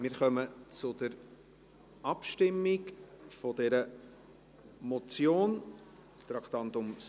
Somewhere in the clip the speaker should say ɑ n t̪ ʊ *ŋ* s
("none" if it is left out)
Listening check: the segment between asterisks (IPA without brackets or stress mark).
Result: m